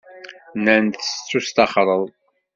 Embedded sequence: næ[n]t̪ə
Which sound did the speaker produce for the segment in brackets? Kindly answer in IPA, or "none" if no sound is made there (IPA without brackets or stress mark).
n